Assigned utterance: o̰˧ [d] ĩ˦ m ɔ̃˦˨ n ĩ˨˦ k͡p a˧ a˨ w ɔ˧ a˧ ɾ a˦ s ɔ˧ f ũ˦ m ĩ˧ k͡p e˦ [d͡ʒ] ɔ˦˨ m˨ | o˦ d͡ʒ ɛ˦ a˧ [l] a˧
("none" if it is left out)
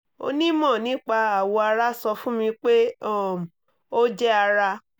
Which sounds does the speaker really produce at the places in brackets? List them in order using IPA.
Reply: n, none, ɾ

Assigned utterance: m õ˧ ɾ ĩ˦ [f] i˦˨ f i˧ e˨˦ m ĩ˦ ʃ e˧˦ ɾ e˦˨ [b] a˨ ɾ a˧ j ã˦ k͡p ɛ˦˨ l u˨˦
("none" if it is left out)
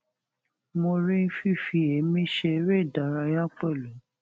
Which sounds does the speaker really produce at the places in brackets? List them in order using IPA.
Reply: f, d

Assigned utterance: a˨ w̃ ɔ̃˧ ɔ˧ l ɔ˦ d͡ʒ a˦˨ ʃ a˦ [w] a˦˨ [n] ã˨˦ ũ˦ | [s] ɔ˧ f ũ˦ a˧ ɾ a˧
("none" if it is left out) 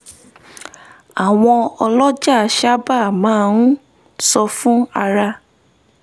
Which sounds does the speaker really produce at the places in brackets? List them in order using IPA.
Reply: b, m, s

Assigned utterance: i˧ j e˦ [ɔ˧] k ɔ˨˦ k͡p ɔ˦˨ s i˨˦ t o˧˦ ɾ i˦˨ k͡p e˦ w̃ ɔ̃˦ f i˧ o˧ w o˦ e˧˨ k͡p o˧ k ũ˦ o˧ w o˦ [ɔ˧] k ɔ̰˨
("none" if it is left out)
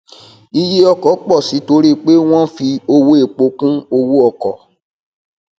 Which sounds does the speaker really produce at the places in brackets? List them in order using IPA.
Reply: ɔ˧, ɔ˧

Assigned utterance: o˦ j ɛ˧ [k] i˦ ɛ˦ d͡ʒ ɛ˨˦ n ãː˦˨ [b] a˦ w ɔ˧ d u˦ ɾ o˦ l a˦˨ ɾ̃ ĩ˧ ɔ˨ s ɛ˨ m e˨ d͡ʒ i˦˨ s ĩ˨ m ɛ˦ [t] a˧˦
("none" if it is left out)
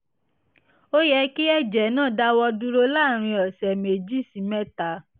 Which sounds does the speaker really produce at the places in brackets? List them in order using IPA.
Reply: k, d, t

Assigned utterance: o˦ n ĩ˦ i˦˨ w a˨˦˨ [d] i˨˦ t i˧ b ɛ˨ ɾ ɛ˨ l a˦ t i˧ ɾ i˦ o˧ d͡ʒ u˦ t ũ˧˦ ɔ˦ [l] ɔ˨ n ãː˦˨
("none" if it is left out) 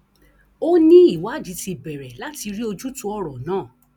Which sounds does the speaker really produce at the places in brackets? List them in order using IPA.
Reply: d͡ʒ, ɾ

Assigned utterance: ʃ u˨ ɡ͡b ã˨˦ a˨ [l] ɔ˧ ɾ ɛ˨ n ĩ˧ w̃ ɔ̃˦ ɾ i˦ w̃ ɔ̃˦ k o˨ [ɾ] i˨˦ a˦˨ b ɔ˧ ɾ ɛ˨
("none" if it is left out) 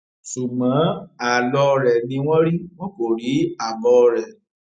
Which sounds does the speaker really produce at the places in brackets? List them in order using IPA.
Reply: l, ɾ

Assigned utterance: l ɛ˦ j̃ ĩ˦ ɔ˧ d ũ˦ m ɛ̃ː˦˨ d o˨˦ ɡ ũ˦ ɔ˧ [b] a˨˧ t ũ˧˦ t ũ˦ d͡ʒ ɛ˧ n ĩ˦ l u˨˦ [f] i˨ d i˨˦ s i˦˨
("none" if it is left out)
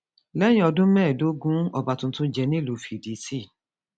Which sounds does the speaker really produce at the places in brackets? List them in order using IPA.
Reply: b, f

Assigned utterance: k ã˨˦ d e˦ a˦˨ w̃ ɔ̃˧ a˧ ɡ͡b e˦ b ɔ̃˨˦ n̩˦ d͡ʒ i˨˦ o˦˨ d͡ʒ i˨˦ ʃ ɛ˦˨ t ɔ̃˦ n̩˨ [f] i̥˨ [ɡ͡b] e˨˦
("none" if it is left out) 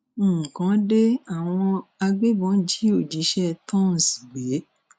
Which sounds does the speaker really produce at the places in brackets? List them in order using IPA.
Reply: s, ɡ͡b

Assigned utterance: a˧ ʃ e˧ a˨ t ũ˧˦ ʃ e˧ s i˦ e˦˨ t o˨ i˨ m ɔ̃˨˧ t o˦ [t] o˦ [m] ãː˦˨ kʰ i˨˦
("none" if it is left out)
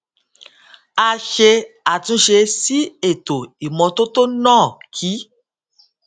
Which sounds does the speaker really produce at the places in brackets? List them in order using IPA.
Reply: t, n

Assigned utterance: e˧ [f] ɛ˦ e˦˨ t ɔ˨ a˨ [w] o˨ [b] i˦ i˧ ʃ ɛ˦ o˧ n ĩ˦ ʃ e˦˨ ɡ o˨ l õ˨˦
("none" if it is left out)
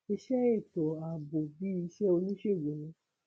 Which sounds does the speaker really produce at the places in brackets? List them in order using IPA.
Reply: ʃ, b, b

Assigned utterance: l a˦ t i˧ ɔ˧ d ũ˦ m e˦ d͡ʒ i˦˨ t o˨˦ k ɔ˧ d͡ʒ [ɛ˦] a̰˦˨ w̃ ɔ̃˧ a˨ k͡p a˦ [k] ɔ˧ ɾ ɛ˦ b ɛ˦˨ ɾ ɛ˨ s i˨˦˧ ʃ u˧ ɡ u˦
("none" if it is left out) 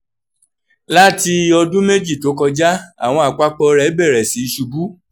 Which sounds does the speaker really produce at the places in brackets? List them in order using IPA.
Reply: a˦, k͡p

